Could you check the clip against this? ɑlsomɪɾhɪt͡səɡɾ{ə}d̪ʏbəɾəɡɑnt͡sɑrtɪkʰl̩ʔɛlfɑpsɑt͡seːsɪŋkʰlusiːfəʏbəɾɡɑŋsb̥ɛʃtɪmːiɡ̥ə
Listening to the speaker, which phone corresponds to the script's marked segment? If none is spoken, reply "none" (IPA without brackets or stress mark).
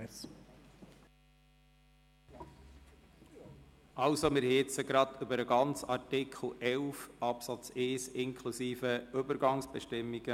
ɑ